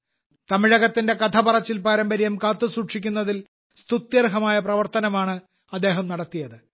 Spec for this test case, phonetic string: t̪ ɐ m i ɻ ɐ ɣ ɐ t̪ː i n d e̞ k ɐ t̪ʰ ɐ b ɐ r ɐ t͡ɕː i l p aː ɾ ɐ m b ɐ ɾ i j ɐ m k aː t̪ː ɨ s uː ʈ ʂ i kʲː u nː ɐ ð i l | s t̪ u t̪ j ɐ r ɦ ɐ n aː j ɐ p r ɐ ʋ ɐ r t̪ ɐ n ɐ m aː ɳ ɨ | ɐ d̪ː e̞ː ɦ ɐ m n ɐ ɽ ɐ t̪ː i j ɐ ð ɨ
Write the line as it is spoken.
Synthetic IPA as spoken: t̪ ɐ m i ɻ ɐ ɣ ɐ t̪ː i n d e̞ k ɐ t̪ʰ ɐ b ɐ r ɐ t͡ɕː i l p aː ɾ ɐ m b ɐ ɾ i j ɐ m k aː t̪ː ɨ s uː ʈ ʂ i kʲː u nː ɐ ð i l | s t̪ u t̪ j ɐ r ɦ ɐ m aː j ɐ p r ɐ ʋ ɐ r t̪ ɐ n ɐ m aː ɳ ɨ | ɐ d̪ː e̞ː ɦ ɐ m n ɐ ɽ ɐ t̪ː i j ɐ ð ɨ